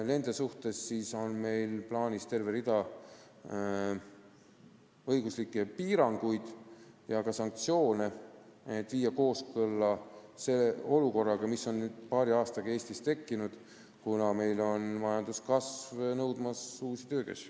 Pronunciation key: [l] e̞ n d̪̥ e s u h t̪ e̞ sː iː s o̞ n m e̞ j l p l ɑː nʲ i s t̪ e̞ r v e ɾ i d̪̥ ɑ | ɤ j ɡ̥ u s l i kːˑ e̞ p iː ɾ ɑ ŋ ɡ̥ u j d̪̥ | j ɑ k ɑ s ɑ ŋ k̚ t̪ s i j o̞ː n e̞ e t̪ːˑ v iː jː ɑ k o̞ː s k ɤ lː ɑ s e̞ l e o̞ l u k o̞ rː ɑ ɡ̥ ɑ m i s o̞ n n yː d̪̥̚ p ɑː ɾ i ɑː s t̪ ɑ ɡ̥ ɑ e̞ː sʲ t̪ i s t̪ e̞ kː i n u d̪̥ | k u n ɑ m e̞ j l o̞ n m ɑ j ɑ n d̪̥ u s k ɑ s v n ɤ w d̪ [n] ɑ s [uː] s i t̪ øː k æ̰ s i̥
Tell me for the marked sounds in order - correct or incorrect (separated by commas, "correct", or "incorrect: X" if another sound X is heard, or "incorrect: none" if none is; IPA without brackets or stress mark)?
correct, incorrect: m, correct